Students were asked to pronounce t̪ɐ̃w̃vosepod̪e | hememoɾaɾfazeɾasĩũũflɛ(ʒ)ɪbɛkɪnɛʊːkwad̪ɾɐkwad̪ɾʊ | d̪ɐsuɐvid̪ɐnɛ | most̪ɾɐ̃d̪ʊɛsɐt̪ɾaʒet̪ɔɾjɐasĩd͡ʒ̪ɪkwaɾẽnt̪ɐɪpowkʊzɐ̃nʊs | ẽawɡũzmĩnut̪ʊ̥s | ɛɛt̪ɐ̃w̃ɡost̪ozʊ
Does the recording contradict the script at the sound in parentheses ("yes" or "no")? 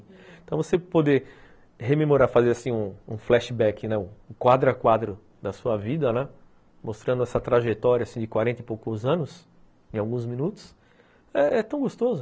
yes